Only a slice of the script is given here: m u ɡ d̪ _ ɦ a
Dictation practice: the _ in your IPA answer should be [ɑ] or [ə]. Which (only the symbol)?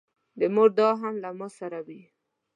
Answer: ɑ